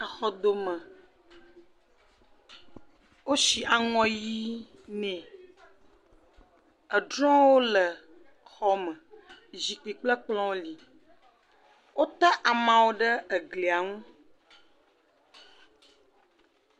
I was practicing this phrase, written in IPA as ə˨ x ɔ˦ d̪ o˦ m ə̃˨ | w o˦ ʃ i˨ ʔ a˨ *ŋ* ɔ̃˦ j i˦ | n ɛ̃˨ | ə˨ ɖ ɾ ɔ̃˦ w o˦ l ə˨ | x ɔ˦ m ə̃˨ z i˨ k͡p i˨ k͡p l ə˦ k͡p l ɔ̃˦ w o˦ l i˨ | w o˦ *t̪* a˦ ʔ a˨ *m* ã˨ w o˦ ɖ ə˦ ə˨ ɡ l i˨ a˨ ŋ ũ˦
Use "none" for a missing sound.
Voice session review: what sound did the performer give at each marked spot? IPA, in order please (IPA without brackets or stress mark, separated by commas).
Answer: ŋ, t̪, m